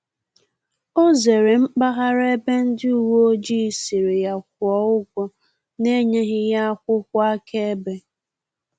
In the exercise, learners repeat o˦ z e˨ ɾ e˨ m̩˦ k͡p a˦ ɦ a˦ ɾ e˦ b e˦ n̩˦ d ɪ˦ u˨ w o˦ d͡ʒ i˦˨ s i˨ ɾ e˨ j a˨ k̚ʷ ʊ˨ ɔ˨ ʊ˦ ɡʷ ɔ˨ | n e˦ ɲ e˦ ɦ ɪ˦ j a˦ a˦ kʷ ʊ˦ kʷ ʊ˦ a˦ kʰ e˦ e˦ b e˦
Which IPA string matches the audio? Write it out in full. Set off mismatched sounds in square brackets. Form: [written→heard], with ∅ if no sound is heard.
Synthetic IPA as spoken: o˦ z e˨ ɾ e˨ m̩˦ k͡p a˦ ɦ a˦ ɾ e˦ b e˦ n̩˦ d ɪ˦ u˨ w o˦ d͡ʒ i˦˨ s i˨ ɾ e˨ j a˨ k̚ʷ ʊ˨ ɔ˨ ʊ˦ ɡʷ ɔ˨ | n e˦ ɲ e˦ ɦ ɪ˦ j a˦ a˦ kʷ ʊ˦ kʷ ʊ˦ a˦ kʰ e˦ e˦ b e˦